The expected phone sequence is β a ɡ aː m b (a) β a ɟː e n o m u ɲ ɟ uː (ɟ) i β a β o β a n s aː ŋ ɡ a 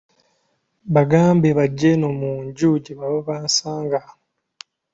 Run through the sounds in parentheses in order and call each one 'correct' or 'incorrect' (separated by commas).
incorrect, correct